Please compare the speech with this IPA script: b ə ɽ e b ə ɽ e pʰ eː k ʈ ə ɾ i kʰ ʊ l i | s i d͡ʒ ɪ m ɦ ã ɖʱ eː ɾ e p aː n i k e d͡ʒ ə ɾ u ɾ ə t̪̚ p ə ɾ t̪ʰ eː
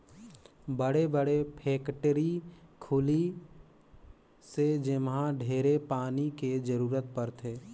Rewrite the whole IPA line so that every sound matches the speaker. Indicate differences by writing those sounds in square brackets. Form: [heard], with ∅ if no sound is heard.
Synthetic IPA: b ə ɽ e b ə ɽ e pʰ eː k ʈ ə ɾ i kʰ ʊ l i | s [e] d͡ʒ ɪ m ɦ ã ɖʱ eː ɾ e p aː n i k e d͡ʒ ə ɾ [uː] ɾ ə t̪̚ p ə ɾ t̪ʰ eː